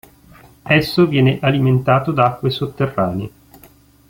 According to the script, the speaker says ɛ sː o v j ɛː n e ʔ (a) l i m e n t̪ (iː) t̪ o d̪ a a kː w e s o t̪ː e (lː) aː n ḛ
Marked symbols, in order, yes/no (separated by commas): yes, no, no